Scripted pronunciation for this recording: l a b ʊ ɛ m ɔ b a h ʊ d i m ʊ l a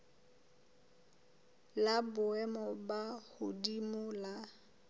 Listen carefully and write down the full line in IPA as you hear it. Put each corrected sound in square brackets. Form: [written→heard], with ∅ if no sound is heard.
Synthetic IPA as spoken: l a b ʊ ɛ m ɔ b a h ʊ d i m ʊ l a